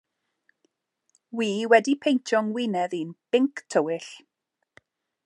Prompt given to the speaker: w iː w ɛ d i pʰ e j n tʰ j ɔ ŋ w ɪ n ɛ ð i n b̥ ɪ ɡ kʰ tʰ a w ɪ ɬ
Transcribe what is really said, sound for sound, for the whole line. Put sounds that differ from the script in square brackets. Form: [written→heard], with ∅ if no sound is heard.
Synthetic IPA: w iː w ɛ d i pʰ e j n tʰ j ɔ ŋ w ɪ n ɛ ð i n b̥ ɪ [ɡ→ŋ] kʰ tʰ [a→ə] w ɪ ɬ